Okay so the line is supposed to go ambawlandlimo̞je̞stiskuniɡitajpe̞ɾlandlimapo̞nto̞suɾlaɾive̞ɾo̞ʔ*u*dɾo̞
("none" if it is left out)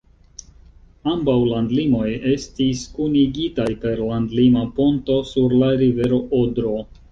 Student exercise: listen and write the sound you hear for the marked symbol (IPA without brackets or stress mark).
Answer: o